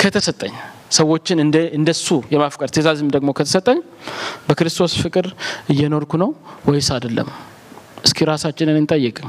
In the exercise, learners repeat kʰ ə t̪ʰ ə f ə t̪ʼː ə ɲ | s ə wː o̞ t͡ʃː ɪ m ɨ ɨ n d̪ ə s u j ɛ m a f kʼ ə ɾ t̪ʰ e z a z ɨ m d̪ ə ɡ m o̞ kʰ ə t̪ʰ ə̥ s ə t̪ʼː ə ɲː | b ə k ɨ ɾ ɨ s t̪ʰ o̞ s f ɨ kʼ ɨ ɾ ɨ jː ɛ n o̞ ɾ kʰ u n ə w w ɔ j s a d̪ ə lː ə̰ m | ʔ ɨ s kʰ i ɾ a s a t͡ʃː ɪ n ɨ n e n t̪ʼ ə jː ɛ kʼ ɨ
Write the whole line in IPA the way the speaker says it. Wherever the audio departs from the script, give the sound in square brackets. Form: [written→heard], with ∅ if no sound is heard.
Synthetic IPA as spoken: kʰ ə t̪ʰ ə [f→s] ə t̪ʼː ə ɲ | s ə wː o̞ t͡ʃː ɪ [m→n] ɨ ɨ n d̪ ə s u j ɛ m a f kʼ ə ɾ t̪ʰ e z a z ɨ m d̪ ə ɡ m o̞ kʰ ə t̪ʰ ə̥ s ə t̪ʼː ə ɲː | b ə k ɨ ɾ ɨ s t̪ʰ o̞ s f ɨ kʼ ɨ ɾ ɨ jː ɛ n o̞ ɾ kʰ u n ə w w ɔ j s a d̪ ə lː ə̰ m | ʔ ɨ s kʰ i ɾ a s a t͡ʃː ɪ n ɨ n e n t̪ʼ ə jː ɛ kʼ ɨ